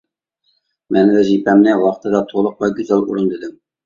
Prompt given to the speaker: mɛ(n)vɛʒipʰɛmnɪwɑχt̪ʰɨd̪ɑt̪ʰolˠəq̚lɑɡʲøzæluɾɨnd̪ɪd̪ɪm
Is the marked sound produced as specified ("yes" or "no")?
yes